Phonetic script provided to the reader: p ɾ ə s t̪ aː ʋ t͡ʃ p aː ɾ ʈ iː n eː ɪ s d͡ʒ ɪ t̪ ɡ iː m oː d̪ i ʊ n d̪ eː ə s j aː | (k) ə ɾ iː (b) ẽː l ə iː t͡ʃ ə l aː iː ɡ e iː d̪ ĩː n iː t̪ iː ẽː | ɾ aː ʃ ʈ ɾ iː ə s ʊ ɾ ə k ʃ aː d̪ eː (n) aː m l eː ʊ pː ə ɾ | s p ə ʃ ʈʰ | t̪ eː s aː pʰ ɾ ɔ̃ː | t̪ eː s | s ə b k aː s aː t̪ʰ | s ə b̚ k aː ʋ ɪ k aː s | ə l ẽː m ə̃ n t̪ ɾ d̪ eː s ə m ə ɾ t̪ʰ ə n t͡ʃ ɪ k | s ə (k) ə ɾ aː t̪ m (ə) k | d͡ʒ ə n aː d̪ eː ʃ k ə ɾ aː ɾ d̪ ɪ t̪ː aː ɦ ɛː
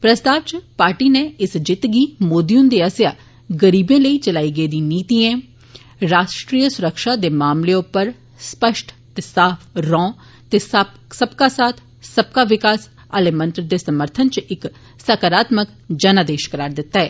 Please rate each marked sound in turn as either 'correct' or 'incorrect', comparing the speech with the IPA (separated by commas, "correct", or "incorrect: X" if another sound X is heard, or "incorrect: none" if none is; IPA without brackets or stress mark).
incorrect: ɡ, correct, incorrect: m, correct, correct